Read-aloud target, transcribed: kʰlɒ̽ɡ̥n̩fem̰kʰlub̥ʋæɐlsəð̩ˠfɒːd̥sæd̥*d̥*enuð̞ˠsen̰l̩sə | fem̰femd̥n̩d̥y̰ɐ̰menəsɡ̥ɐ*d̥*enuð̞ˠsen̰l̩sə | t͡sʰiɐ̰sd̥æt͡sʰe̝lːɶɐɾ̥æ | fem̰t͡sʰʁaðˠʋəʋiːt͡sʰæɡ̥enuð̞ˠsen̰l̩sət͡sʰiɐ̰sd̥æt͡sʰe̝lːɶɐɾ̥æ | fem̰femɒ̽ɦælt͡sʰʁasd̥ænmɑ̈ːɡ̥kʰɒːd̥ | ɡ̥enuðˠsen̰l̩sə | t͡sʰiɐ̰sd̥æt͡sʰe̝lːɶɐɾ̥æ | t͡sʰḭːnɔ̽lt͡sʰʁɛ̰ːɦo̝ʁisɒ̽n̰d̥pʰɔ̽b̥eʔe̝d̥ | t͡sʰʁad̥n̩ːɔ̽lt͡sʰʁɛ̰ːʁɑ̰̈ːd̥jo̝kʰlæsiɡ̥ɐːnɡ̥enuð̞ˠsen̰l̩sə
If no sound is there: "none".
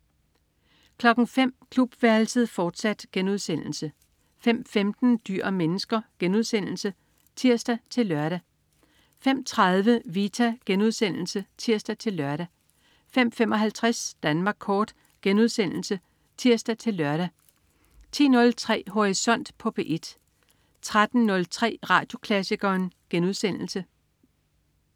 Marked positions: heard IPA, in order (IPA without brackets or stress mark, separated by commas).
ɡ̥, ɡ̥